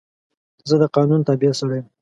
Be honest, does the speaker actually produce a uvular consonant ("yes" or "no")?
yes